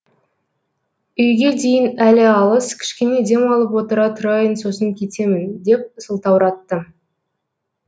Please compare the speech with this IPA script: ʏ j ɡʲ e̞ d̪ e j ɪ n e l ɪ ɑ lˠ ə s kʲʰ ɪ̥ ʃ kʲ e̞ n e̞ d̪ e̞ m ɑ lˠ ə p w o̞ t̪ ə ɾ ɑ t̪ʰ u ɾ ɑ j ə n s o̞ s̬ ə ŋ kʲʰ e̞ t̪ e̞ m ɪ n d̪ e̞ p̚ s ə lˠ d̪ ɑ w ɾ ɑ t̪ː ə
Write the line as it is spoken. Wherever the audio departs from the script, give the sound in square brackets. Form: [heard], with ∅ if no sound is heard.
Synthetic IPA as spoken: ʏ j ɡʲ e̞ d̪ e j ɪ n [æ] l ɪ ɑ lˠ ə s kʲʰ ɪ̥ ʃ kʲ e̞ n e̞ d̪ e̞ m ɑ lˠ ə p w o̞ t̪ ə ɾ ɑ t̪ʰ [ʊ] ɾ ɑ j ə n s o̞ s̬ ə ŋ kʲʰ e̞ t̪ e̞ m ɪ n d̪ e̞ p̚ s ə lˠ [t̪] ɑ w ɾ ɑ t̪ː ə